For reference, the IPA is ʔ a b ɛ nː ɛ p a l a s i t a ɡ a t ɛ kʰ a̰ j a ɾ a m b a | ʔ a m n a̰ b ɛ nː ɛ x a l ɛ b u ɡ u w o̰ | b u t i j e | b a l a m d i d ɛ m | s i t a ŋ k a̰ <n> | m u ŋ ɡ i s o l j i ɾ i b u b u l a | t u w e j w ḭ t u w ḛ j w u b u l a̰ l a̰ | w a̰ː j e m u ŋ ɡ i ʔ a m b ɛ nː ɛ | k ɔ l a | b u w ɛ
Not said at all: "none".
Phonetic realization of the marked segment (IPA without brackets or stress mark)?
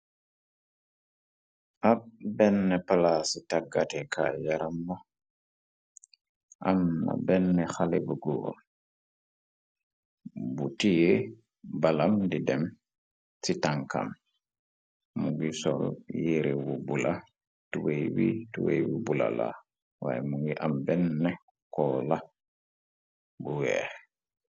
m